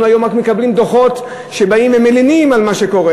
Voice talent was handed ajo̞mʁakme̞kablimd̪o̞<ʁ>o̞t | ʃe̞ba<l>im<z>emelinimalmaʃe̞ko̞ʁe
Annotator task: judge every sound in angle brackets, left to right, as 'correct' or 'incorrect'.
incorrect, incorrect, incorrect

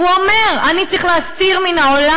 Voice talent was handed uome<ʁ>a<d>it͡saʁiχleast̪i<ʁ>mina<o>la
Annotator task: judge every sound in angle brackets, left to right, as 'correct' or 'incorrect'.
correct, incorrect, correct, correct

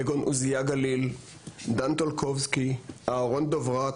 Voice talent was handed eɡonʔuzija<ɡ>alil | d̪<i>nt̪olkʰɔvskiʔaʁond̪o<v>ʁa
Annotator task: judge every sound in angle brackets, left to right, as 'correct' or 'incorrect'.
correct, incorrect, correct

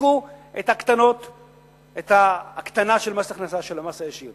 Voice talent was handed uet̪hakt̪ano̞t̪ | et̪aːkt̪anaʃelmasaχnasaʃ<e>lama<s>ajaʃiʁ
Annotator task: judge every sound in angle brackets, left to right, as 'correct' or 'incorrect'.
correct, correct

